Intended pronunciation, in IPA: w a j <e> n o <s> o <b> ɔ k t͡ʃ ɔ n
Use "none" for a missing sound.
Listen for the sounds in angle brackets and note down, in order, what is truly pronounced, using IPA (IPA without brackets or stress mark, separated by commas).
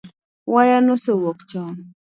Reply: a, s, w